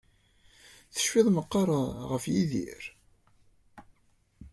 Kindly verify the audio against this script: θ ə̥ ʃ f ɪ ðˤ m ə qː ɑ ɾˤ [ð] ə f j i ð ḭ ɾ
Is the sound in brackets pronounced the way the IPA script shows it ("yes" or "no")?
no